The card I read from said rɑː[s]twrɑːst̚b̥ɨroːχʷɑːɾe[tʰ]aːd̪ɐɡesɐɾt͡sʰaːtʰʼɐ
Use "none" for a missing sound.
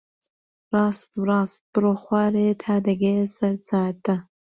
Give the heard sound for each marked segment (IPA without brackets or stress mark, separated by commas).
s, tʰ